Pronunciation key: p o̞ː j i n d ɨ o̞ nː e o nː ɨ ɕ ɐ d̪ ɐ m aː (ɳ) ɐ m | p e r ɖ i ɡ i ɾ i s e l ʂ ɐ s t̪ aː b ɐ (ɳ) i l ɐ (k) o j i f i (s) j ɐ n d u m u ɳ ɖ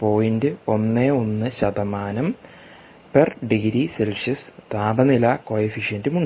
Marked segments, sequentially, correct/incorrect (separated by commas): incorrect, incorrect, correct, incorrect